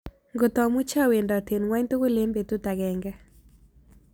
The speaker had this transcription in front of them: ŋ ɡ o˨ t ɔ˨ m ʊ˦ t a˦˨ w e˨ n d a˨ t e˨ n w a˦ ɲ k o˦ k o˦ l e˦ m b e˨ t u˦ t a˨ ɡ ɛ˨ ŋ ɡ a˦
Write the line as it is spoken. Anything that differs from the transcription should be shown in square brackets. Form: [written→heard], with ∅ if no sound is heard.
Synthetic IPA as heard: ŋ ɡ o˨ t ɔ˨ m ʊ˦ [t→t͡ʃ] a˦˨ w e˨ n d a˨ t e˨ n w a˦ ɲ [k→t] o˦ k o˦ l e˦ m b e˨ t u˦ t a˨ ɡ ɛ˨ ŋ ɡ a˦